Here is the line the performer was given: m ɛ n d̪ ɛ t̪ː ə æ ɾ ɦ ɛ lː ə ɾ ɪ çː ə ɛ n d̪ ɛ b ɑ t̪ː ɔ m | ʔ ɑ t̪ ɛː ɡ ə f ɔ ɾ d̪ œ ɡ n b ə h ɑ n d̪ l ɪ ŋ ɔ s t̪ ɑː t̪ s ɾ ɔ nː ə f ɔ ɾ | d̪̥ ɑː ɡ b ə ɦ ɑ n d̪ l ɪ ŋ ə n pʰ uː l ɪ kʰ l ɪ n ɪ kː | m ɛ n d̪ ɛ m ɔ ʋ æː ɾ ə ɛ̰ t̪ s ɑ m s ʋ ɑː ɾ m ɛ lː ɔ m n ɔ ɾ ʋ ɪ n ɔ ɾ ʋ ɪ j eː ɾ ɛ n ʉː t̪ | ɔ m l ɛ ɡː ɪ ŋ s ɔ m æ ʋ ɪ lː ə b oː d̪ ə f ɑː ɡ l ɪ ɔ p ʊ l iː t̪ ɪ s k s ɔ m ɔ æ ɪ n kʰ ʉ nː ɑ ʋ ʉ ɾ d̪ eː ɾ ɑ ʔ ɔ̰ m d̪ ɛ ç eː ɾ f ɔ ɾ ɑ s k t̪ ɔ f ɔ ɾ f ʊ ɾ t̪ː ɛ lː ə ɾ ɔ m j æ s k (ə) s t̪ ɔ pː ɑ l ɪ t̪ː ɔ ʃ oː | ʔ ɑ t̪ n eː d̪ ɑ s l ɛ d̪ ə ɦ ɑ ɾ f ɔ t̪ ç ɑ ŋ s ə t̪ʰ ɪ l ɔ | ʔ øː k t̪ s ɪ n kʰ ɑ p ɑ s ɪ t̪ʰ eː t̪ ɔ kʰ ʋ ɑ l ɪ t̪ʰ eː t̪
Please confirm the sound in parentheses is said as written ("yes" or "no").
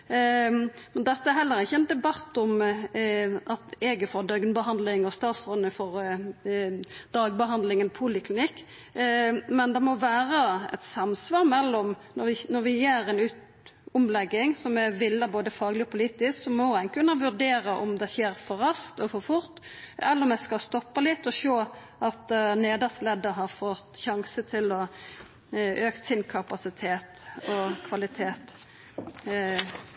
no